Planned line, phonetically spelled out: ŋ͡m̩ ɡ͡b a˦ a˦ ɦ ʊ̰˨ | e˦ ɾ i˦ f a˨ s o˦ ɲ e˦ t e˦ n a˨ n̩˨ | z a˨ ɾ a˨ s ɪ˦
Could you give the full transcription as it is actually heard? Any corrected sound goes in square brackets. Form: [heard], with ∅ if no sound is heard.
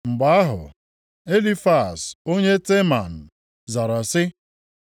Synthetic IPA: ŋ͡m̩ ɡ͡b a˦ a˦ ɦ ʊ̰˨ | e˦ [l] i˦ f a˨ s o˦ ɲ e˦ t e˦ [m] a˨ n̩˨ | z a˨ ɾ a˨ s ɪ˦

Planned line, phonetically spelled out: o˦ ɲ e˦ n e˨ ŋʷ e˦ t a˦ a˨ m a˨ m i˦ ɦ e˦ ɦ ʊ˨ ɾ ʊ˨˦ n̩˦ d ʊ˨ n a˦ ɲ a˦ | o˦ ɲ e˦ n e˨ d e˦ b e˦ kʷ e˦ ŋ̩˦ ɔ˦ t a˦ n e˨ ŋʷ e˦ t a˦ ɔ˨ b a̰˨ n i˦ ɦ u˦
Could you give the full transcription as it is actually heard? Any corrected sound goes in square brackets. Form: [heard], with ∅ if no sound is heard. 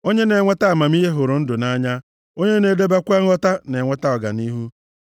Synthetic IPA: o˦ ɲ e˦ n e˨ ŋʷ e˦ t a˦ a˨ m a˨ m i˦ ɦ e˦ ɦ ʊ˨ ɾ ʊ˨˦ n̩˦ d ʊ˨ n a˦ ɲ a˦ | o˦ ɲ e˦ n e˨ d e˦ b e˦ kʷ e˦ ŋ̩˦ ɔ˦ t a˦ n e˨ ŋʷ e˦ t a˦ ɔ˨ [ɡ] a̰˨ n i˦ ɦ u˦

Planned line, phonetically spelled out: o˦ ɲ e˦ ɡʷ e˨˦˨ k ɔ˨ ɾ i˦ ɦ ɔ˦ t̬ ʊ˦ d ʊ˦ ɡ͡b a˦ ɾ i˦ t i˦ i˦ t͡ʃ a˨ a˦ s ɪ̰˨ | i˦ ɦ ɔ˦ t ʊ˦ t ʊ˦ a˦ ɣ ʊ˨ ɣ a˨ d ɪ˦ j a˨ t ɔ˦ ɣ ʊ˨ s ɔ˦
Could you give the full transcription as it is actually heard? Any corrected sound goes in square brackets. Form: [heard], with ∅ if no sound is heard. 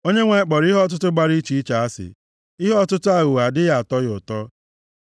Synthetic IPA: o˦ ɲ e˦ [ŋʷ] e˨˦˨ [k͡p] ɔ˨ ɾ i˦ ɦ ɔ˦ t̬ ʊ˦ [t] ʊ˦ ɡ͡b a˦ ɾ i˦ [t͡ʃ] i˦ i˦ t͡ʃ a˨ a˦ s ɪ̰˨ | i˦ ɦ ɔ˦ t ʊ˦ t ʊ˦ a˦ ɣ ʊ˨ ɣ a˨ d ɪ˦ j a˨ t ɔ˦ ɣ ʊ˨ [t] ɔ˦

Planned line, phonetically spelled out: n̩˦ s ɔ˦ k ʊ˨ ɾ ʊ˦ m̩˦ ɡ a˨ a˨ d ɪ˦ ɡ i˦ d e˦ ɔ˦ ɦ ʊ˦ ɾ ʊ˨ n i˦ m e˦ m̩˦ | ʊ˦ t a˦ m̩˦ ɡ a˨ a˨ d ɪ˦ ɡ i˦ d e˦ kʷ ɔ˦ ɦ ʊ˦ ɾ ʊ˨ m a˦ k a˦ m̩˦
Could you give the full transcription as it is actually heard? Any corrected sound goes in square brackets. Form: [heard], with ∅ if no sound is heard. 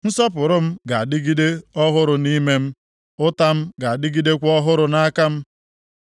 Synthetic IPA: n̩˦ s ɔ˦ [p] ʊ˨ ɾ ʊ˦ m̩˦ ɡ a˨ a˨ d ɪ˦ ɡ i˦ d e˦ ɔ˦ ɦ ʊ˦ ɾ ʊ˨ n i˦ m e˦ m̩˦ | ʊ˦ t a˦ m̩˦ ɡ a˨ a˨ d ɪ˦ ɡ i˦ d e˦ kʷ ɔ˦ ɦ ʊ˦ ɾ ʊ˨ [n] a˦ k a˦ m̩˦

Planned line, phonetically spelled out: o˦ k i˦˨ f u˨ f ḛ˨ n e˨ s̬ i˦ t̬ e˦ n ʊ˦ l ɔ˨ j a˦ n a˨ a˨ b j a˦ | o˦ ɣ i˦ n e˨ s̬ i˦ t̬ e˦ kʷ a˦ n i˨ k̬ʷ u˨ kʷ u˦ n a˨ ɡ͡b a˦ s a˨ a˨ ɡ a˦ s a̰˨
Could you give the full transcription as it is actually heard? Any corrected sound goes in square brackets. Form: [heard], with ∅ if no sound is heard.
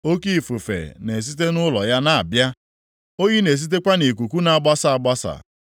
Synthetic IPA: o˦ k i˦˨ f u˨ f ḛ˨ n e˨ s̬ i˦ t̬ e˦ n ʊ˦ l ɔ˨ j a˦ n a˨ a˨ b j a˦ | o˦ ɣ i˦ n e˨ s̬ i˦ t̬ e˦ kʷ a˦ n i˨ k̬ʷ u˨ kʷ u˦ n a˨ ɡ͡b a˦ s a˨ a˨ [ɡ͡b] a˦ s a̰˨

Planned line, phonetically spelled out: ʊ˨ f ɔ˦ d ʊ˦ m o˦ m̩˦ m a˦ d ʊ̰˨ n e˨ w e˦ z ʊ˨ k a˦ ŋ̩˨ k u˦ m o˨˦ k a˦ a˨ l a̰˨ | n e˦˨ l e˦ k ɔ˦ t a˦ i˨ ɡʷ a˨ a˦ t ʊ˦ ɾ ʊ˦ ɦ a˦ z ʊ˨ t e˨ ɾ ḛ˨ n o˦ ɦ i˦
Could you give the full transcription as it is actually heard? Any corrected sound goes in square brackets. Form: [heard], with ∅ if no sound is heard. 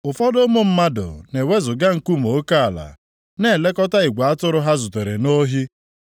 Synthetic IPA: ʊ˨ f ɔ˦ d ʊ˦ m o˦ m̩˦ m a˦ d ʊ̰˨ n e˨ w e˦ z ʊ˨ [ɡ] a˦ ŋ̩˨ k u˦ m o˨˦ k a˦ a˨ l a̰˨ | n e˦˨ l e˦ k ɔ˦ t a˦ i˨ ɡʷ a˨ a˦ t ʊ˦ ɾ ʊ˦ ɦ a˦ z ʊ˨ t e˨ ɾ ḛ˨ n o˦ ɦ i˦

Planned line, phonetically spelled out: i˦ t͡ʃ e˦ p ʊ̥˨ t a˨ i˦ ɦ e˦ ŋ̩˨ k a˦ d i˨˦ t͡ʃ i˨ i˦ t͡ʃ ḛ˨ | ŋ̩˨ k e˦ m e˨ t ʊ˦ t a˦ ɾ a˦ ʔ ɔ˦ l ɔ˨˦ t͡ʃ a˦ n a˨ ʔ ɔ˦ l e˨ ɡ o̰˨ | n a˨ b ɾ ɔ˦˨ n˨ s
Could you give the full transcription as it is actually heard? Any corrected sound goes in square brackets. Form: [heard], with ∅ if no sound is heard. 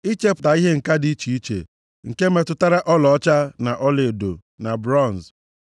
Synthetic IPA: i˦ t͡ʃ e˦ p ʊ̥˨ t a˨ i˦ ɦ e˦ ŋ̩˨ k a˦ d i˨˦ t͡ʃ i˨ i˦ t͡ʃ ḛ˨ | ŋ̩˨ k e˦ m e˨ t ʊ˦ t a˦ ɾ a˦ ʔ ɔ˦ l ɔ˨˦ t͡ʃ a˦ n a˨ ʔ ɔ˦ l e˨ [d] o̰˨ | n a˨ b ɾ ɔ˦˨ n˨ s

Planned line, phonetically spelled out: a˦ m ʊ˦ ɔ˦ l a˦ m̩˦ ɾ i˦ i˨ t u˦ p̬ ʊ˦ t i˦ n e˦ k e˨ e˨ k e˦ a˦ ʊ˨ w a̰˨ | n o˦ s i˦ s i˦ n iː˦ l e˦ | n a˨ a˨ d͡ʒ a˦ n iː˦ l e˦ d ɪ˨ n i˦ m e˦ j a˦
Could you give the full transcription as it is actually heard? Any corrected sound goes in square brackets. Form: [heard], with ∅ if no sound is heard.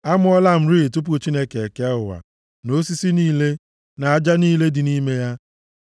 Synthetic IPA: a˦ m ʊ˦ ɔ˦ l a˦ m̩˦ ɾ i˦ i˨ t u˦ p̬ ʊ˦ [t͡ʃ] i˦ n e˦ k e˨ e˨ k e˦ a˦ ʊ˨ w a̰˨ | n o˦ s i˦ s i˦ n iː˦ l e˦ | n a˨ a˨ d͡ʒ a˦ n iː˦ l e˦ d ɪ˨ n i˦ m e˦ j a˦

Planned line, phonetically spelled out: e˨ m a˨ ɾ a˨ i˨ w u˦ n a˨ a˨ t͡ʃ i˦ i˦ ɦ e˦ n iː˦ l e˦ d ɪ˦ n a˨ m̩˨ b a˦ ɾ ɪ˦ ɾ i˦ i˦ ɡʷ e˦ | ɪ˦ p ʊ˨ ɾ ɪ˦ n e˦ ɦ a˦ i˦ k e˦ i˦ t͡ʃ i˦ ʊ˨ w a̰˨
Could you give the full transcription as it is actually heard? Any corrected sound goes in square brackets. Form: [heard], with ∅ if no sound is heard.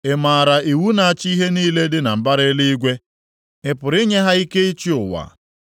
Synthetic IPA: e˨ m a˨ ɾ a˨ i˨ w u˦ n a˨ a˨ t͡ʃ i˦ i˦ ɦ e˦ n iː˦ l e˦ d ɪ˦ n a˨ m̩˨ b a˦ ɾ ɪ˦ [l] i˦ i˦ ɡʷ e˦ | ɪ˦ p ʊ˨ ɾ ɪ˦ [ɲ] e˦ ɦ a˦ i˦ k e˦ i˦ t͡ʃ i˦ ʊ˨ w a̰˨

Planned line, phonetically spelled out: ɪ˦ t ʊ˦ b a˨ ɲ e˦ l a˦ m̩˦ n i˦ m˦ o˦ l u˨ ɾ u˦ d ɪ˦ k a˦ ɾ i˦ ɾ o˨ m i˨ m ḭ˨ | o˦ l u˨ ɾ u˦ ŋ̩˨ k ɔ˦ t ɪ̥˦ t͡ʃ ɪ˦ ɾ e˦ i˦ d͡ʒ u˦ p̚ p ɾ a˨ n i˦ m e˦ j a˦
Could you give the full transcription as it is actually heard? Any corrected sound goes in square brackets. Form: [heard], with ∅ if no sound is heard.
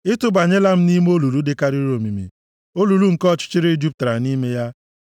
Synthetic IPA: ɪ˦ t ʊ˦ b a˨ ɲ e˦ l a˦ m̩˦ n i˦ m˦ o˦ l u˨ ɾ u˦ d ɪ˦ k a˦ ɾ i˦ ɾ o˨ m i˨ m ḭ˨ | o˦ l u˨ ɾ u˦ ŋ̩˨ k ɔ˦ [t͡ʃ] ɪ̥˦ t͡ʃ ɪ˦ ɾ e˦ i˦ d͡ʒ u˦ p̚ [t] ɾ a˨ n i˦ m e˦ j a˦

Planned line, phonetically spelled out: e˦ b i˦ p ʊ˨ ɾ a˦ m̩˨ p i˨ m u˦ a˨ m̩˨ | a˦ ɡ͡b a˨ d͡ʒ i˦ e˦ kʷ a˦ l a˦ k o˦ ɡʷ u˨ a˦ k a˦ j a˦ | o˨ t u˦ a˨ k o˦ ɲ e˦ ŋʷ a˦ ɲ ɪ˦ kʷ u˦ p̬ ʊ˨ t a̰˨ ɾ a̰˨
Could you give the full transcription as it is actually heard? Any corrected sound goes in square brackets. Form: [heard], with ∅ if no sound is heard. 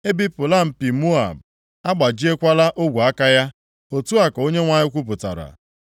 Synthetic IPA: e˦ b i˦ p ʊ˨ [l] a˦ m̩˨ p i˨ m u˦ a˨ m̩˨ | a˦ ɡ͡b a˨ d͡ʒ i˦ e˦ kʷ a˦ l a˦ [ʔ] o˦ ɡʷ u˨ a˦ k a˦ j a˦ | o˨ t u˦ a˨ k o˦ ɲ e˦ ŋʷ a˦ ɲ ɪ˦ kʷ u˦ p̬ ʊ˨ t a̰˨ ɾ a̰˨

